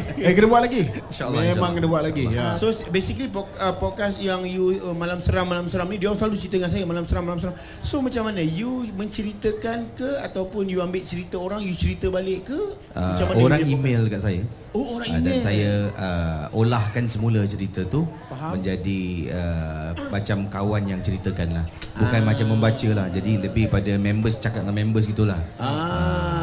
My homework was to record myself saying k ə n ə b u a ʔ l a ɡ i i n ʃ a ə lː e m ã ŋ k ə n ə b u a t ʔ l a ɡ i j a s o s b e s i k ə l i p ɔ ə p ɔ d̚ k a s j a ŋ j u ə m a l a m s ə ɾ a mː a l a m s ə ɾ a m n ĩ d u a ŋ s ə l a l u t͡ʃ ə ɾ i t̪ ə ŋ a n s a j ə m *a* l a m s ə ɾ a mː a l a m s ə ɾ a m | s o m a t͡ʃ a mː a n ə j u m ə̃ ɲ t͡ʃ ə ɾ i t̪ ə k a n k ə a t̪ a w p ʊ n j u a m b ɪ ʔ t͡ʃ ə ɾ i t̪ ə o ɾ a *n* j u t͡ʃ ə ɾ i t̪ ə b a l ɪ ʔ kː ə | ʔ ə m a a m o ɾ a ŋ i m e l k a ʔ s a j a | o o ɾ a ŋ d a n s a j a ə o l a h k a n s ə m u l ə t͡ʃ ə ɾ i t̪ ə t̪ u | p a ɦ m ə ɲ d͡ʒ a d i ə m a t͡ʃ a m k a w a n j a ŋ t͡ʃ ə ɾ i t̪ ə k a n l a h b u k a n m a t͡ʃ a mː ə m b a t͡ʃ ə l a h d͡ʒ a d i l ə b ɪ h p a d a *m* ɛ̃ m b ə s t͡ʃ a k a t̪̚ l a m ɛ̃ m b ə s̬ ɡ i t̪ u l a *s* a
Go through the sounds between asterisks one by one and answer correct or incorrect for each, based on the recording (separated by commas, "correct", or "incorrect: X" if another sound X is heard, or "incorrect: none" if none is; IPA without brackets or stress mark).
correct, incorrect: ŋ, correct, incorrect: h